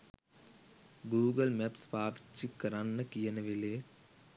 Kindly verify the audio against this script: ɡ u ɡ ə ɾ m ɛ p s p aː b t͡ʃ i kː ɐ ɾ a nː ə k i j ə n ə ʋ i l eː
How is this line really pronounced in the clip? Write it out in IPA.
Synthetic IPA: ɡ uː ɡ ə l m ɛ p s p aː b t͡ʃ i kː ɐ ɾ a nː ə k i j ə n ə ʋ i l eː